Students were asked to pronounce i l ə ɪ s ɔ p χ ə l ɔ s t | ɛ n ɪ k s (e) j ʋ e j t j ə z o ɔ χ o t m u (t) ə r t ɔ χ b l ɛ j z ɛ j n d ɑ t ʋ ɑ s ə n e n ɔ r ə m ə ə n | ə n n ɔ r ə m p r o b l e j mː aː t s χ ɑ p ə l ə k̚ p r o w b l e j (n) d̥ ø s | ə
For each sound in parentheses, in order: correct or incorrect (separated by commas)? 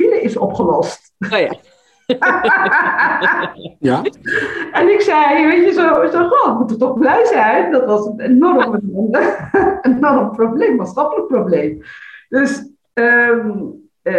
incorrect, correct, incorrect